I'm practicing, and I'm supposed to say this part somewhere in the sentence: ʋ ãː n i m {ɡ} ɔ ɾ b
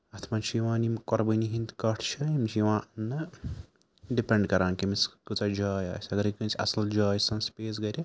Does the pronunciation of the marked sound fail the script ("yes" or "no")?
yes